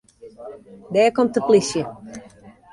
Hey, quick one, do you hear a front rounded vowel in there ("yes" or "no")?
no